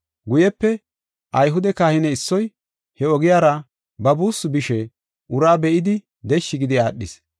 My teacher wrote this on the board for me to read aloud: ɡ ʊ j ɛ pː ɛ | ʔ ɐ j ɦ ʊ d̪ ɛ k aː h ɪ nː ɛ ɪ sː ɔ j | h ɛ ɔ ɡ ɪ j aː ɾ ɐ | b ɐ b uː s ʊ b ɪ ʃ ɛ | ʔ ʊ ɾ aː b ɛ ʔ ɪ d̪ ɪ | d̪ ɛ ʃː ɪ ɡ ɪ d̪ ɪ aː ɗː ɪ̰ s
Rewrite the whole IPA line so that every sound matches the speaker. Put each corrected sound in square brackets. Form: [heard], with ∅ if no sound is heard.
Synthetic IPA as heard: ɡ ʊ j ɛ pː ɛ | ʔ ɐ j ɦ ʊ d̪ ɛ k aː h ɪ [n] ɛ ɪ sː ɔ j | h ɛ ɔ ɡ ɪ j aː ɾ ɐ | b ɐ b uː s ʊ b ɪ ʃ ɛ | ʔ ʊ ɾ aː b ɛ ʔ ɪ d̪ ɪ | d̪ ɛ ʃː ɪ ɡ ɪ d̪ ɪ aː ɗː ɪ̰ s